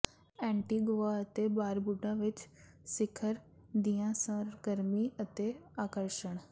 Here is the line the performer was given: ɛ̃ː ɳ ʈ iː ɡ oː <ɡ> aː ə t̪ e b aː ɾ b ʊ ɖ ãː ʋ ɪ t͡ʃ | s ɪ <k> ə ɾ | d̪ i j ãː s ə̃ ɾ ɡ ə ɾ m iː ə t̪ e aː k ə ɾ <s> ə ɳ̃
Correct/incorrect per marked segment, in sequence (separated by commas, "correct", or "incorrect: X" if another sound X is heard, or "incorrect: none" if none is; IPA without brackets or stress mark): incorrect: none, incorrect: kʰ, incorrect: ʃ